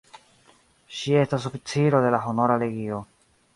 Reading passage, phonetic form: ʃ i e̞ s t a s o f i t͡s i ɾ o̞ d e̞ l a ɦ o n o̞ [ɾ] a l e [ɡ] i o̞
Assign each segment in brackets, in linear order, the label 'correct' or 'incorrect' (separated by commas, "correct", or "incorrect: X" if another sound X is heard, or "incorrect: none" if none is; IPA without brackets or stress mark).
correct, correct